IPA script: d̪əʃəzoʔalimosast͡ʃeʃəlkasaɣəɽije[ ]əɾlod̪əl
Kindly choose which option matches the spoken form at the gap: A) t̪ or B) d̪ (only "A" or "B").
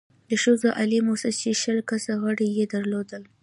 B